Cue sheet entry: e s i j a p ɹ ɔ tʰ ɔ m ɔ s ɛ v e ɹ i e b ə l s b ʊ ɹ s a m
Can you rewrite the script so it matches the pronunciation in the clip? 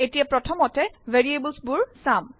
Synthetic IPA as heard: e t i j a p ɹ ɔ tʰ ɔ m ɔ t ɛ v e ɹ i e b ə l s b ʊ ɹ s a m